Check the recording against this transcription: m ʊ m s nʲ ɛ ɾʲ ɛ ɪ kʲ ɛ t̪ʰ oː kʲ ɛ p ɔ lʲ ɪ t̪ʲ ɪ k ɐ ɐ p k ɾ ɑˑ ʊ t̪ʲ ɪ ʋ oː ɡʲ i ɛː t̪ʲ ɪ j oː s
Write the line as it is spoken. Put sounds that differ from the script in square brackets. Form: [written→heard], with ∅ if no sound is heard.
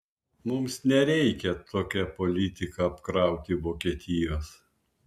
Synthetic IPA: m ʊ m s nʲ ɛ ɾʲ ɛ ɪ kʲ ɛ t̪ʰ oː kʲ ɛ p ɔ lʲ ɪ t̪ʲ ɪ k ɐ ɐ p k ɾ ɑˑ ʊ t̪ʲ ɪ ʋ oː [ɡʲ→kʲ] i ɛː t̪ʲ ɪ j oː s